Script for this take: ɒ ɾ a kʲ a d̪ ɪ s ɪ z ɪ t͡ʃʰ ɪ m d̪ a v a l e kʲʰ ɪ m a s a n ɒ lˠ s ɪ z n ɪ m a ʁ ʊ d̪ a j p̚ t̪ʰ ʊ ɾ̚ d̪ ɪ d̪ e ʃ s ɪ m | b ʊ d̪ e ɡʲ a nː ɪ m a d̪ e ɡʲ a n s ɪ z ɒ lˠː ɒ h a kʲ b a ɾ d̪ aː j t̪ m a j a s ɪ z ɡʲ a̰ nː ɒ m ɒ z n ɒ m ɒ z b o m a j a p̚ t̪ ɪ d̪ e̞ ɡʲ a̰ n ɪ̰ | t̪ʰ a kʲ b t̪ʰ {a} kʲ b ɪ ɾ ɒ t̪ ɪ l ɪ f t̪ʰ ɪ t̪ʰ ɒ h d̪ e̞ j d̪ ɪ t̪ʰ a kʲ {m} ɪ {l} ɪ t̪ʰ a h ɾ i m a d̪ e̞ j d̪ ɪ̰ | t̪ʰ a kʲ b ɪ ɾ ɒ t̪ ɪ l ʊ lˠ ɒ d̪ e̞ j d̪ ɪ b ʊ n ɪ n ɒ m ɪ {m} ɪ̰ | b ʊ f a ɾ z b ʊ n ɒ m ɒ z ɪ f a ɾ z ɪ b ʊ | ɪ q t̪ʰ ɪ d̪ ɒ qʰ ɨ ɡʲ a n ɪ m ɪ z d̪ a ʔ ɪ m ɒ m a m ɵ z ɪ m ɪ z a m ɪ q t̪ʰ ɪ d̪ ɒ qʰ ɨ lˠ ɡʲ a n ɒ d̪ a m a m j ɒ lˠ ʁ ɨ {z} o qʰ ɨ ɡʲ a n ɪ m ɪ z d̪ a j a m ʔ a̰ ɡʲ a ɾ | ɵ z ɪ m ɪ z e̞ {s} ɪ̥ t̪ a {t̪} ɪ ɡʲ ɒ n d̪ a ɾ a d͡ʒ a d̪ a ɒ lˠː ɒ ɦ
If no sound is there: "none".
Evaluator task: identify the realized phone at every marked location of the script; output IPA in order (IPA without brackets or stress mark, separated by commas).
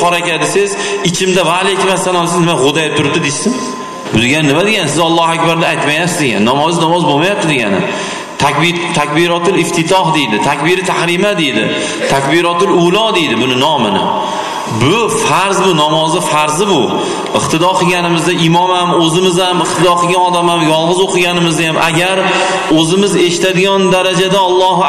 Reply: a, b, ɾ, n, z, ʃ, d̪